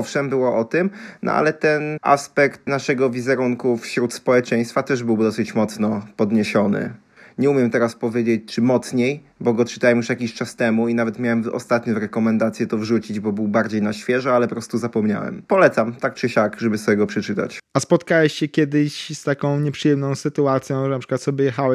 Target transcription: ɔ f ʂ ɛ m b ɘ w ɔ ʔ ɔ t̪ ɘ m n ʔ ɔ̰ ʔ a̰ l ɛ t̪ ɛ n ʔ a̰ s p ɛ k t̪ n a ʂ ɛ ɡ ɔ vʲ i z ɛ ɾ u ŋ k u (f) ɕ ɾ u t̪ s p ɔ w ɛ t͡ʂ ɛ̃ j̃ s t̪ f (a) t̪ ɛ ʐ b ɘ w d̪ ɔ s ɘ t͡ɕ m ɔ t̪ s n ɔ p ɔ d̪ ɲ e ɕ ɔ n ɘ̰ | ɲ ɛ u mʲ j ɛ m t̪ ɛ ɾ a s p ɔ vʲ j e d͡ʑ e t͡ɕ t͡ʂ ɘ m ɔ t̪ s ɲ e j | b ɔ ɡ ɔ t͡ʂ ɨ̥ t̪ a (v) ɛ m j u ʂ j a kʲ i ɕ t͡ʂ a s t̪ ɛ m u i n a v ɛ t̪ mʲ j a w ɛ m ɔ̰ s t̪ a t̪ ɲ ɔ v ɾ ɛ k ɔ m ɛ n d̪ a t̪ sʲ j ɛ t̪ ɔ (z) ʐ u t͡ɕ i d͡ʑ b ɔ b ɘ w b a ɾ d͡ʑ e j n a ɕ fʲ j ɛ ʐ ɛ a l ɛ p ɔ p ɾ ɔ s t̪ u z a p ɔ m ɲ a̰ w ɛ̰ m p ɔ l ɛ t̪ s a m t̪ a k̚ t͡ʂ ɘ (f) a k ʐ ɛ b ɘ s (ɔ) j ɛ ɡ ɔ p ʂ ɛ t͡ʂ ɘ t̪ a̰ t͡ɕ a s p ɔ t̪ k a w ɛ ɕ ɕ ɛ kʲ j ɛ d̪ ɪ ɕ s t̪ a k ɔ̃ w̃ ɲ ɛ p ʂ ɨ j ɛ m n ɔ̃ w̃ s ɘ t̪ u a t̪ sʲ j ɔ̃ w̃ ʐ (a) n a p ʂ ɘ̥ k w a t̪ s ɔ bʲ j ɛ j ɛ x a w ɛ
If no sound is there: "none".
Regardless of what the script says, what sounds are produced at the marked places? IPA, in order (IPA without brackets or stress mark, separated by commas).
f, a, w, v, ɕ, ɔ, ɛ